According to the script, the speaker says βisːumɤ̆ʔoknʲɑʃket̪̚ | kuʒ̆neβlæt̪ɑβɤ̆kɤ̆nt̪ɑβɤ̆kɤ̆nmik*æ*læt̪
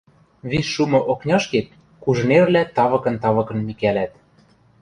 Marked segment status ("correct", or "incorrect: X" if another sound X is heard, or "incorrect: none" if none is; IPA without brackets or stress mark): correct